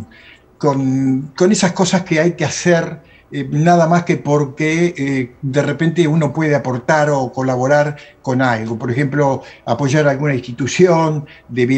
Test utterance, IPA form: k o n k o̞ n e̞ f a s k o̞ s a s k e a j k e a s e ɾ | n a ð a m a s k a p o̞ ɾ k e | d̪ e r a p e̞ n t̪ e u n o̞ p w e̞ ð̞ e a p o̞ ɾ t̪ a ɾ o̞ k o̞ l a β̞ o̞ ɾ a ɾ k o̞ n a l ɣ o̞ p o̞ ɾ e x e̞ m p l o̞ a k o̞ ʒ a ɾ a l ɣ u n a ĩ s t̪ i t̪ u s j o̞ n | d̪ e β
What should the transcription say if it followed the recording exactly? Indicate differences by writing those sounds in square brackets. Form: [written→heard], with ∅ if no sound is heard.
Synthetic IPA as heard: k o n k o̞ n e̞ [f→s] a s k o̞ s a s k e a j k e a s e ɾ | n a ð a m a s k [a→e] p o̞ ɾ k e | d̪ e r [a→e] p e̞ n t̪ e u n o̞ p w e̞ ð̞ e a p o̞ ɾ t̪ a ɾ o̞ k o̞ l a β̞ o̞ ɾ a ɾ k o̞ n a l ɣ o̞ p o̞ ɾ e x e̞ m p l o̞ a [k→p] o̞ ʒ a ɾ a l ɣ u n a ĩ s t̪ i t̪ u s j o̞ n | d̪ e β